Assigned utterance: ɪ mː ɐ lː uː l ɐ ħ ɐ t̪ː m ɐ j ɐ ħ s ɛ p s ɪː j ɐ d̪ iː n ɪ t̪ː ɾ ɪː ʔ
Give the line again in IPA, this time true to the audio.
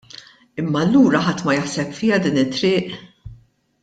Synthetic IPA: ɪ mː ɐ lː uː ɾ ɐ ħ ɐ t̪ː m ɐ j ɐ ħ s ɛ p f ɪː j ɐ d̪ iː n ɪ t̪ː ɾ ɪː ʔ